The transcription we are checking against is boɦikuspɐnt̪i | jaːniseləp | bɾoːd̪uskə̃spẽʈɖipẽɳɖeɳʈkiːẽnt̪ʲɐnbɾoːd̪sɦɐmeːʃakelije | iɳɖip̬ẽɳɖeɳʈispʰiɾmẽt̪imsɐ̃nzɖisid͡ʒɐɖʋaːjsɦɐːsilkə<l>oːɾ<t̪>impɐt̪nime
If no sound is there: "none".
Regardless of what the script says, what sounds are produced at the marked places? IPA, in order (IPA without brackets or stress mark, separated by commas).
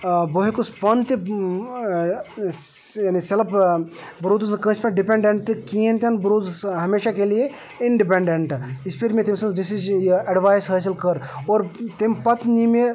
ɾ, t̪